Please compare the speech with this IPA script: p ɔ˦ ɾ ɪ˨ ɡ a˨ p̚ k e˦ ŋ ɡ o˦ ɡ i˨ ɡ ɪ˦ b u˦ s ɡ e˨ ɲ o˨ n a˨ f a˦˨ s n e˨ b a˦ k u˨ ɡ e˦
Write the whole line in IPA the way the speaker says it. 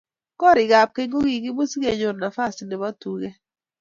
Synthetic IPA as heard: k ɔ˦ ɾ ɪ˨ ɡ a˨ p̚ k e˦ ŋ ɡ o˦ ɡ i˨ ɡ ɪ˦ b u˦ s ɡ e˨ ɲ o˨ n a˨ f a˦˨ s n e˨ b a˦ t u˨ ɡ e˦